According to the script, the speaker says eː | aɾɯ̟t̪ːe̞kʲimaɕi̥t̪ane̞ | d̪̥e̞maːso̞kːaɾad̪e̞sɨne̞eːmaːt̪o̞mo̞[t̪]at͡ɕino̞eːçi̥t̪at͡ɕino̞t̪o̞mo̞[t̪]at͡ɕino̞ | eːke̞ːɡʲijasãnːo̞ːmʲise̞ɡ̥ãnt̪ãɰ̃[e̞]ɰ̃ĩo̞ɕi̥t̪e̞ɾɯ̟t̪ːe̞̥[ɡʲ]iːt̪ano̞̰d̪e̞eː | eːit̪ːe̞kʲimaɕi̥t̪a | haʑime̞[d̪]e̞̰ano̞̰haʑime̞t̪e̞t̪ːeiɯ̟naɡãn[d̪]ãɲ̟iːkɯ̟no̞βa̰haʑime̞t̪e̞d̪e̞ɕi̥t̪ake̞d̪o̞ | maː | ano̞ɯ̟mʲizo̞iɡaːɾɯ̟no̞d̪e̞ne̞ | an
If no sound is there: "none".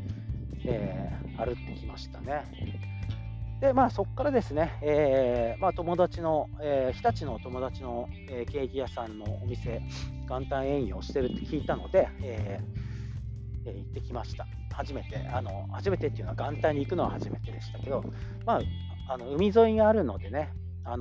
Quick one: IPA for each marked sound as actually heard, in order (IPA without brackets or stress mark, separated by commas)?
d̪, d̪, ẽ̞, kʲ, t̪, t̪